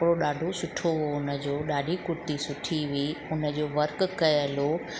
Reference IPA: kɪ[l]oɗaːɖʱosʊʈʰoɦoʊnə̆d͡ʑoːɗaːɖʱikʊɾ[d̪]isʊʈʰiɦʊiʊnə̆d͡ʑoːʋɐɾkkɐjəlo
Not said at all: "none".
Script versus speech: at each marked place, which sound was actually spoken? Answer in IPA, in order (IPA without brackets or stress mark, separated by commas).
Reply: ɽ, t̪